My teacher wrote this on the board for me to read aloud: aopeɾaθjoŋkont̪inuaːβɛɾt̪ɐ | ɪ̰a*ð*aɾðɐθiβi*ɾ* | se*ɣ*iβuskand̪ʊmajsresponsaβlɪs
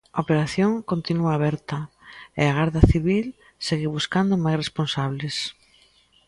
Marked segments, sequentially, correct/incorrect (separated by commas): incorrect, incorrect, correct